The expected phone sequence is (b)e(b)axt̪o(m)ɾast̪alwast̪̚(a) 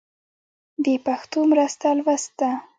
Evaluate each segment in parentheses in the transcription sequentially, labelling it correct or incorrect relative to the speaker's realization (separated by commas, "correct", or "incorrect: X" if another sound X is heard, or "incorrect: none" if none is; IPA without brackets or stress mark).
correct, incorrect: p, correct, correct